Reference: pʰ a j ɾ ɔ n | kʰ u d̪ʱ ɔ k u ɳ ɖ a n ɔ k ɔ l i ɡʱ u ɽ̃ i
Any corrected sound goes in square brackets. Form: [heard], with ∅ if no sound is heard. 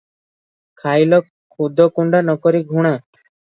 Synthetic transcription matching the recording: [kʰ] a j [l] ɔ [∅] | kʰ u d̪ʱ ɔ k u ɳ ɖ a n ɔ k ɔ [ɾ] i ɡʱ u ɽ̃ [a]